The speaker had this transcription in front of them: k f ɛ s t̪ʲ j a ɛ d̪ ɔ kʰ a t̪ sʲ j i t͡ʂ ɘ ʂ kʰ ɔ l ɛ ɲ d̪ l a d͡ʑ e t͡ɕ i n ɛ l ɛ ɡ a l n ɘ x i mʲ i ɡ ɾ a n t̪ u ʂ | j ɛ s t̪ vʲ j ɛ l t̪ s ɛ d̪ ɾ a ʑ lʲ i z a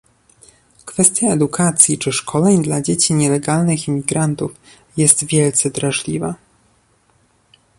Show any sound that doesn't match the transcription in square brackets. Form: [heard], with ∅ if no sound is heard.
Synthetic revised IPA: k f ɛ s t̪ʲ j a ɛ d̪ [u] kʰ a t̪ sʲ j i t͡ʂ ɘ ʂ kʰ ɔ l ɛ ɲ d̪ l a d͡ʑ e t͡ɕ i [ɲ] ɛ l ɛ ɡ a l n ɘ x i mʲ i ɡ ɾ a n t̪ u [f] | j ɛ s t̪ vʲ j ɛ l t̪ s ɛ d̪ ɾ a [ʐ] lʲ i [v] a